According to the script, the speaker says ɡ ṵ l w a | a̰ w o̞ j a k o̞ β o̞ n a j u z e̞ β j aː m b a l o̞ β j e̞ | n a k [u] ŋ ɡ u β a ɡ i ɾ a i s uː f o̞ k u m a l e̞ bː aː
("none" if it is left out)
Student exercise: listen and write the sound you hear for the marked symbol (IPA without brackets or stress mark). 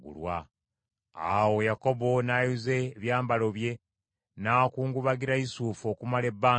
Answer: uː